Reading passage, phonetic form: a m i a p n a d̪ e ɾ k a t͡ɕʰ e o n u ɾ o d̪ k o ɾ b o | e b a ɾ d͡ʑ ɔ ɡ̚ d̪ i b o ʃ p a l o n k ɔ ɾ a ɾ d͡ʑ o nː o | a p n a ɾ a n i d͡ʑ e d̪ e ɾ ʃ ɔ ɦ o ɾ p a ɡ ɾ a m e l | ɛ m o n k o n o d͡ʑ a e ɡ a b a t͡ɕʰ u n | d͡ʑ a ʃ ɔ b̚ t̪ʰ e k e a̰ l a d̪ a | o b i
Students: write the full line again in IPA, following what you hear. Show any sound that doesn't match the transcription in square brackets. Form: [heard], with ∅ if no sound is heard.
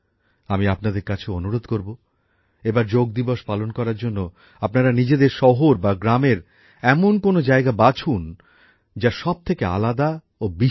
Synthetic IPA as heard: a m i a p n a d̪ e ɾ k a t͡ɕʰ e o n u ɾ o d̪ k o ɾ b o | e b a ɾ d͡ʑ [o] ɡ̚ d̪ i b o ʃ p a l o n k ɔ ɾ a ɾ d͡ʑ o nː o | a p n a ɾ a n i d͡ʑ e d̪ e ɾ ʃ ɔ ɦ o ɾ [b] a ɡ ɾ a m e [ɾ] | ɛ m o n k o n o d͡ʑ a e ɡ a b a t͡ɕʰ u n | d͡ʑ a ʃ ɔ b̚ t̪ʰ e k e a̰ l a d̪ a | o b i